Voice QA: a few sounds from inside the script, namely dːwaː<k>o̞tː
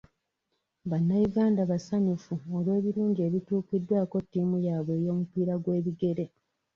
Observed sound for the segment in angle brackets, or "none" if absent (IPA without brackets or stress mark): k